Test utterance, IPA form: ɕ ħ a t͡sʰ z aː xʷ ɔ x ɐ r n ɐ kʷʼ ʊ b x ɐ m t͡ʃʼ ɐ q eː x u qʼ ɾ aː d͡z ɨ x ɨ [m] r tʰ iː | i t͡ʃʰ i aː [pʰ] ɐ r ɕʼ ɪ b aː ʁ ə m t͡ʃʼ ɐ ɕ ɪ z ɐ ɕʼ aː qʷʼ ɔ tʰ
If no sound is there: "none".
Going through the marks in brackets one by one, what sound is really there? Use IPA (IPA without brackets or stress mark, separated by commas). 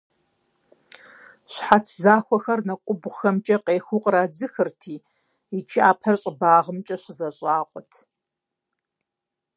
none, pʰ